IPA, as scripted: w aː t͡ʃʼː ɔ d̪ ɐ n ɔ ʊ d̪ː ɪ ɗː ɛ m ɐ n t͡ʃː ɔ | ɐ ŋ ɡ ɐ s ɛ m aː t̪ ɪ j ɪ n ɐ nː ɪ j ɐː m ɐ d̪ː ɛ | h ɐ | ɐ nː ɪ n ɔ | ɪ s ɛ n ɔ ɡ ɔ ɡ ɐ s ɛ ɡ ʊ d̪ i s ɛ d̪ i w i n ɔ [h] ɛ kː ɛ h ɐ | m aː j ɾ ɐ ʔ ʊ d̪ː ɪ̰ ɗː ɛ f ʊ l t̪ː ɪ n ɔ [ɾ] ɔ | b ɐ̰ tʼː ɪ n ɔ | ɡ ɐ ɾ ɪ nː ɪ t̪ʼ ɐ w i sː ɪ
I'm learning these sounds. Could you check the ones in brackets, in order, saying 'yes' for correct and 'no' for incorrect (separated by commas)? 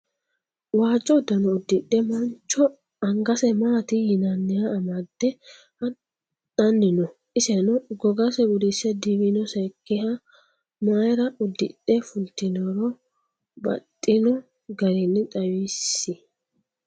no, yes